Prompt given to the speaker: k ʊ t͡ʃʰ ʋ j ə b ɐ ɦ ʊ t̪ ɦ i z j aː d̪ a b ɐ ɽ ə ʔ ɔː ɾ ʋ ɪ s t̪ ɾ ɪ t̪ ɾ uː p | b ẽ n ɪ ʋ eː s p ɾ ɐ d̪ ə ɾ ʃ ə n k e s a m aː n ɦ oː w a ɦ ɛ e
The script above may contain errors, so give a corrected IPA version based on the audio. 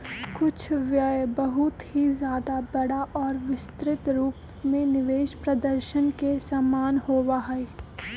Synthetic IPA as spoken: k ʊ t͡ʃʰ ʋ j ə b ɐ ɦ ʊ t̪ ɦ i z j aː d̪ a b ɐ ɽ a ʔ ɔː ɾ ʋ ɪ s t̪ ɾ ɪ t̪ ɾ uː p | m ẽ n ɪ ʋ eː ʃ p ɾ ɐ d̪ ə ɾ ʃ ə n k e s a m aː n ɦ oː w a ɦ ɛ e